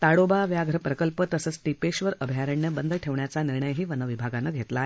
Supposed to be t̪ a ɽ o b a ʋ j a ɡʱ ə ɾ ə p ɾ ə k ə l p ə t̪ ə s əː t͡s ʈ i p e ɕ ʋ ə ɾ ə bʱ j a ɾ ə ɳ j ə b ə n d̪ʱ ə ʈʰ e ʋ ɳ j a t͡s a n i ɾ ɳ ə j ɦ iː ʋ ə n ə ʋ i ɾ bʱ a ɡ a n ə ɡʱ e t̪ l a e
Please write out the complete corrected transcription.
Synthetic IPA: t̪ a ɽ o b a ʋ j a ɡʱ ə ɾ ə p ɾ ə k ə l p ə t̪ ə s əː t͡s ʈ i p e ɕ ʋ ə ɾ ə bʱ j a ɾ ə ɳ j ə b ə n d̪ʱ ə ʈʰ e ʋ ɳ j a t͡s a n i ɾ ɳ ə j ɦ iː ʋ ə n ə ʋ i bʱ a ɡ a n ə ɡʱ e t̪ l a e

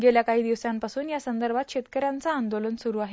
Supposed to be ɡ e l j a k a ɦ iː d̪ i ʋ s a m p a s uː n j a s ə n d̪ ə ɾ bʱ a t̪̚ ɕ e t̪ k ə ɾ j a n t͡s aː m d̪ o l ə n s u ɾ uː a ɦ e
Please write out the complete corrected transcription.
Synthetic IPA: ɡ e l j a k a ɦ iː d̪ i ʋ s a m p a s uː n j a s ə n d̪ ə ɾ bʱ a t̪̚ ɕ e t̪ k ə ɾ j a n t͡s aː n d̪ o l ə n s u ɾ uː a ɦ e

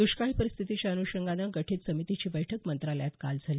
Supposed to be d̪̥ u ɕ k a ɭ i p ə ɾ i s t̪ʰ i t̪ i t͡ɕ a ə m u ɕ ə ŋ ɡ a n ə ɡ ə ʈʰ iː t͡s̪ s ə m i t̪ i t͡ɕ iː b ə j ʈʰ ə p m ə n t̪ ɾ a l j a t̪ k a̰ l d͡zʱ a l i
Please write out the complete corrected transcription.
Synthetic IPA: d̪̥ u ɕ k a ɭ i p ə ɾ i s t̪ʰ i t̪ i t͡ɕ a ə n u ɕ ə ŋ ɡ a n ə ɡ ə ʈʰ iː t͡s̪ s ə m i t̪ i t͡ɕ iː b ə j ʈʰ ə k m ə n t̪ ɾ a l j a t̪ k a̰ l d͡zʱ a l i

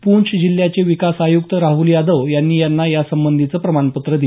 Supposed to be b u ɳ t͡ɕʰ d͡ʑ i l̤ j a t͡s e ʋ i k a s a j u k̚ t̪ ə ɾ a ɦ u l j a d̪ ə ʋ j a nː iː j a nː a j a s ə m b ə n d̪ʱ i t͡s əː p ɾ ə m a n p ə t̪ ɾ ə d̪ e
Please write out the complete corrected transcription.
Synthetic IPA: p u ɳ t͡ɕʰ d͡ʑ i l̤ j a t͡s e ʋ i k a s a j u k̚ t̪ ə ɾ a ɦ u l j a d̪ ə ʋ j a nː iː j a nː a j a s ə m b ə n d̪ʱ i t͡s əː p ɾ ə m a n p ə t̪ ɾ ə d̪ i

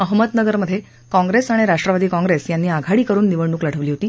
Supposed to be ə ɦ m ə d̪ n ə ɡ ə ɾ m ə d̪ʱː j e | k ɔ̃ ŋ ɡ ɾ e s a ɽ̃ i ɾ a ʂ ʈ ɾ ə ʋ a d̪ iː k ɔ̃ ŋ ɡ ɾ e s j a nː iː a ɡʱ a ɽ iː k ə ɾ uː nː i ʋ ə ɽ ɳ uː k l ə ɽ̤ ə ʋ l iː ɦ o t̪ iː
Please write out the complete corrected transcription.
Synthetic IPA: ə ɦ m ə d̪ n ə ɡ ə ɾ m ə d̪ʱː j e | k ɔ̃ ŋ ɡ ɾ e s a ɽ̃ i ɾ a ʂ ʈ ɾ ə ʋ a d̪ iː k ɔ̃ ŋ ɡ ɾ e s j a nː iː a ɡʱ a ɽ iː k ə ɾ uː nː i ʋ ə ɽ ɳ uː k l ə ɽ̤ ə ʋ l iː ɦ o t̪ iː

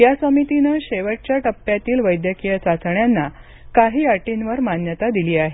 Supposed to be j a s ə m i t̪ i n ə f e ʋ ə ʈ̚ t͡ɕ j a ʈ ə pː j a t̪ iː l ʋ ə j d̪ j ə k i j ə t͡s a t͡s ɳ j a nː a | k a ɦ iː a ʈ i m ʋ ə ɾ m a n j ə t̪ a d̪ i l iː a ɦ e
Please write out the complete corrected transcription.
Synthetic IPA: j a s ə m i t̪ i n ə ɕ e ʋ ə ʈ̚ t͡ɕ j a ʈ ə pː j a t̪ iː l ʋ ə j d̪ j ə k i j ə t͡s a t͡s ɳ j a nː a | k a ɦ iː a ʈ i n ʋ ə ɾ m a n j ə t̪ a d̪ i l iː a ɦ e

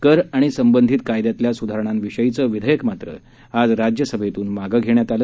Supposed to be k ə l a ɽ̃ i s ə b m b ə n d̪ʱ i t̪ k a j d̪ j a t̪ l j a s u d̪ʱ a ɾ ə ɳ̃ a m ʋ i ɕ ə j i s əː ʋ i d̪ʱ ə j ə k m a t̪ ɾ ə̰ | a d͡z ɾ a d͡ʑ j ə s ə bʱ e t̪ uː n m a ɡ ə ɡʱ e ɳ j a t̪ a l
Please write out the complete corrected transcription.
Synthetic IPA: k ə ɾ a ɽ̃ i s ə m b ə n d̪ʱ i t̪ k a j d̪ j a t̪ l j a s u d̪ʱ a ɾ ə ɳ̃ a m ʋ i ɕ ə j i t͡s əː ʋ i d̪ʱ ə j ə k m a t̪ ɾ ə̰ | a d͡z ɾ a d͡ʑ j ə s ə bʱ e t̪ uː n m a ɡ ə ɡʱ e ɳ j a t̪ a l

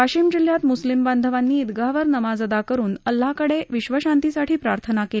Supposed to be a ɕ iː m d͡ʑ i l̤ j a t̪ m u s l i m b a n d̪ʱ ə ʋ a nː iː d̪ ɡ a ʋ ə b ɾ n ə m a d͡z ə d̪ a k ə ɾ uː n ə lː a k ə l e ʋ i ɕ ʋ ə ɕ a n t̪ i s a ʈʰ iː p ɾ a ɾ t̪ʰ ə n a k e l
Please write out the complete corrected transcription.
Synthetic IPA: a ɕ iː m d͡ʑ i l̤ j a t̪ m u s l i m b a n d̪ʱ ə ʋ a nː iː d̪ ɡ a ʋ ə ɾ n ə m a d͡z ə d̪ a k ə ɾ uː n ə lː a k ə ɽ e ʋ i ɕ ʋ ə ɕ a n t̪ i s a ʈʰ iː p ɾ a ɾ t̪ʰ ə n a k e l

